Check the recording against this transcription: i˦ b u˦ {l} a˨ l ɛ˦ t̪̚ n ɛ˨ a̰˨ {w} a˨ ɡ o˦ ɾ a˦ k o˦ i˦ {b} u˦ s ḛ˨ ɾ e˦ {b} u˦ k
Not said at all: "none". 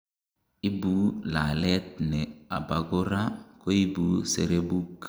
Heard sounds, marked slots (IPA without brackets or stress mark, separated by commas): l, b, b, b